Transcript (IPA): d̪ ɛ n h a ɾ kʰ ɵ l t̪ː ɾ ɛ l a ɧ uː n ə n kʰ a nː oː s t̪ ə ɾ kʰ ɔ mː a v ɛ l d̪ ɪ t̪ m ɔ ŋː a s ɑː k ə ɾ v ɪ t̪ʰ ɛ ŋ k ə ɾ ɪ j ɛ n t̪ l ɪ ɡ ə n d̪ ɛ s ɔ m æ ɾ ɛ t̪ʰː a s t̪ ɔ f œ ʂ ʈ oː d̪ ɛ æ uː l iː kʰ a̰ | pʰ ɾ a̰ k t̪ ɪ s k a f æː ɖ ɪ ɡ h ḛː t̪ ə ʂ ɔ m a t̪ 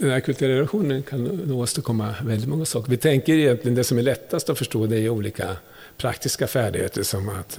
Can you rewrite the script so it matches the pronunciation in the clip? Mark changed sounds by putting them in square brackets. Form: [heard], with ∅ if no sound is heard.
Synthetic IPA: d̪ ɛ n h [æ] ɾ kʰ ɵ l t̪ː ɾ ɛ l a ɧ uː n ə n kʰ a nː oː s t̪ ə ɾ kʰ ɔ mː a v ɛ l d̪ ɪ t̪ m ɔ ŋː a s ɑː k ə ɾ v ɪ t̪ʰ ɛ ŋ k ə ɾ ɪ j ɛ n t̪ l ɪ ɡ ə n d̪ ɛ s ɔ m æ [ɭ] ɛ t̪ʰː a s t̪ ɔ f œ ʂ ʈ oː d̪ ɛ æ uː l iː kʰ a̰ | pʰ ɾ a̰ k t̪ ɪ s k a f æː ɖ ɪ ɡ h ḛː t̪ ə ʂ ɔ m a t̪